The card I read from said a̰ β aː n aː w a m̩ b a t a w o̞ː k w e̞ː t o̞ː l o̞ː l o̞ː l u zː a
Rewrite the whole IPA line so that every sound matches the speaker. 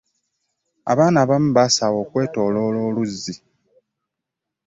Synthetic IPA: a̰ β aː n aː β a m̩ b a s a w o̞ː k w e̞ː t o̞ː l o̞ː l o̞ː l u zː i